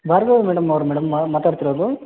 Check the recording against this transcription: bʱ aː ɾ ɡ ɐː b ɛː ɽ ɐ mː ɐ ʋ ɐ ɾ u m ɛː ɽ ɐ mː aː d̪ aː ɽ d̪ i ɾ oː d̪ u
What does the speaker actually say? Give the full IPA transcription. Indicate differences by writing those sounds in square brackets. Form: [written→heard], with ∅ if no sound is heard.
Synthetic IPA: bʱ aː ɾ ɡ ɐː [b→m] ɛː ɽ ɐ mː ɐ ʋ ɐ ɾ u m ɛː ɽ ɐ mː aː [d̪→t̪] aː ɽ [d̪→t̪] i ɾ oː d̪ u

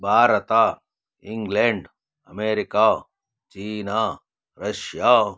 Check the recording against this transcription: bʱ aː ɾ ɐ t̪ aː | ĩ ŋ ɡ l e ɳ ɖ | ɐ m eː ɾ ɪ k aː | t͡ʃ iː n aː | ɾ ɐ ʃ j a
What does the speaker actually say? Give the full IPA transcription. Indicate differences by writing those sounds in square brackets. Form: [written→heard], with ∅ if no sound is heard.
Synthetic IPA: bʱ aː ɾ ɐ t̪ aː | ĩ ŋ ɡ l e ɳ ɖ | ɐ m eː ɾ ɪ k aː | t͡ʃ iː n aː | ɾ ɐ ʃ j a

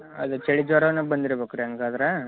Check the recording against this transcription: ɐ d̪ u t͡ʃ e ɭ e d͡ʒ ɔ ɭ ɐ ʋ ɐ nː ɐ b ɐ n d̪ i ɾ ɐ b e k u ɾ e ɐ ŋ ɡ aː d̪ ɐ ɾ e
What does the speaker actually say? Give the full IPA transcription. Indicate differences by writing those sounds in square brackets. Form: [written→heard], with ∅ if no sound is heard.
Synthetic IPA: ɐ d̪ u t͡ʃ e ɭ [e→i] d͡ʒ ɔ [ɭ→ɾ] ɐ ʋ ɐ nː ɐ b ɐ n d̪ i ɾ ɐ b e k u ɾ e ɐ ŋ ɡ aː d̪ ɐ ɾ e

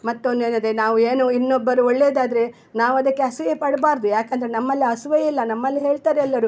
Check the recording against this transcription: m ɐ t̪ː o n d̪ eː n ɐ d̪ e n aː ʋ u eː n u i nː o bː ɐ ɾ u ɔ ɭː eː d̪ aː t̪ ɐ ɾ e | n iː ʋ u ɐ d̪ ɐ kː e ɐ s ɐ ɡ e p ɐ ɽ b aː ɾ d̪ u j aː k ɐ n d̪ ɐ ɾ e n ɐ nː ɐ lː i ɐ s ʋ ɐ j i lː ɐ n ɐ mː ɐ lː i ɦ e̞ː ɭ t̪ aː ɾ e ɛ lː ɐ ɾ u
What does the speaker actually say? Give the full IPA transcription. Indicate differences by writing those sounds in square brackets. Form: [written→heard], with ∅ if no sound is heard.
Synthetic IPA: m ɐ t̪ː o n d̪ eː n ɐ d̪ e n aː ʋ u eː n u i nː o bː ɐ ɾ u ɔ ɭː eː d̪ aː [t̪→d̪] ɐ ɾ e | n [iː→aː] ʋ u ɐ d̪ ɐ kː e ɐ s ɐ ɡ e p ɐ ɽ b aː ɾ d̪ u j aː k ɐ n d̪ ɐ ɾ e n ɐ [nː→mː] ɐ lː i ɐ s ʋ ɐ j i lː ɐ n ɐ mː ɐ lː i ɦ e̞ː ɭ t̪ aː ɾ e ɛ lː ɐ ɾ u

